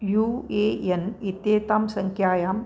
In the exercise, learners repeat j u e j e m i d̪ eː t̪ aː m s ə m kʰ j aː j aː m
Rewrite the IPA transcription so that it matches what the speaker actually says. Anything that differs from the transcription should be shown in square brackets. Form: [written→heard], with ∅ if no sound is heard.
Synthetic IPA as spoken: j u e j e [m→n] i [d̪→t̪] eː t̪ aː m s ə [m→ŋ] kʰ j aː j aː m